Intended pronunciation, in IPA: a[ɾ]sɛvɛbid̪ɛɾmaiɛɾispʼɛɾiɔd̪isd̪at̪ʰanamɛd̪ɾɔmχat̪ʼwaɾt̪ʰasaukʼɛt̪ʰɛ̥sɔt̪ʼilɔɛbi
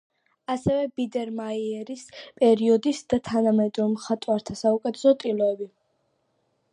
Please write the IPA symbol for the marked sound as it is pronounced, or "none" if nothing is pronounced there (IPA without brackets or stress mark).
none